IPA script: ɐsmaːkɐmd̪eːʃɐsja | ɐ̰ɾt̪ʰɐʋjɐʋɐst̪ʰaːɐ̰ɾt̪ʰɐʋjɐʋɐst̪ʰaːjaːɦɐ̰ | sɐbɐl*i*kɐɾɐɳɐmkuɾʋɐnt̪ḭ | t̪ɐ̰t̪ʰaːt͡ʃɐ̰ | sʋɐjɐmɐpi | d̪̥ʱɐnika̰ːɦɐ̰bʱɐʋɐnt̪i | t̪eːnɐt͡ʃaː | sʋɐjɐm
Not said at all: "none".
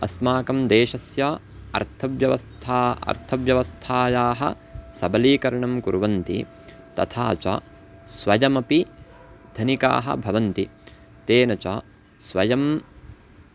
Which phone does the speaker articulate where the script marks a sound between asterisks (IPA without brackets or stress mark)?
iː